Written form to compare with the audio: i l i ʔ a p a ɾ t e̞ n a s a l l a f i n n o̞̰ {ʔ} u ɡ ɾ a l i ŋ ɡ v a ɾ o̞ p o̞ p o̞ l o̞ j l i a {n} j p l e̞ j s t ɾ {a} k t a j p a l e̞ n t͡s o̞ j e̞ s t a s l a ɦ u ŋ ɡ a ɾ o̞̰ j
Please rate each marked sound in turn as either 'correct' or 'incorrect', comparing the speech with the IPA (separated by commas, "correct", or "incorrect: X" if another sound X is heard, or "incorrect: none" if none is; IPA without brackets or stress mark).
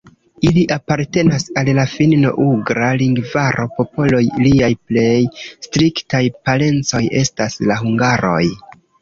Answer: correct, incorrect: none, incorrect: i